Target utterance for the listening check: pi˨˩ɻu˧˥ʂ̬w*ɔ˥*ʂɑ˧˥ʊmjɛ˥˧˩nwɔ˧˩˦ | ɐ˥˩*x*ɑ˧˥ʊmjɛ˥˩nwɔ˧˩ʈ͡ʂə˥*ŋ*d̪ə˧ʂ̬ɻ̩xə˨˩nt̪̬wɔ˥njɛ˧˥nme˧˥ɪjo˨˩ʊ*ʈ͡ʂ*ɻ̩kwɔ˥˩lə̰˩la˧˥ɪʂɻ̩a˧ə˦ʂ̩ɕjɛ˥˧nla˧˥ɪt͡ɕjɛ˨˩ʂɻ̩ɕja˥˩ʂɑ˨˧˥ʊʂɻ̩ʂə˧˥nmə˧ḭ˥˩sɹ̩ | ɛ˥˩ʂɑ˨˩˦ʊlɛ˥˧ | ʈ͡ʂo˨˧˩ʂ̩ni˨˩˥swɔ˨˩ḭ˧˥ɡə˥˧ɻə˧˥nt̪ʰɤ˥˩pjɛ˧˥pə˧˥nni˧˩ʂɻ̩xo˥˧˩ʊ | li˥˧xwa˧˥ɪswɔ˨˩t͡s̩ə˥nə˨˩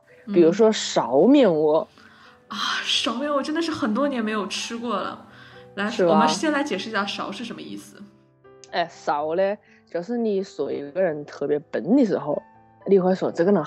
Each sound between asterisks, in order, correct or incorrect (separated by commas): correct, incorrect, incorrect, incorrect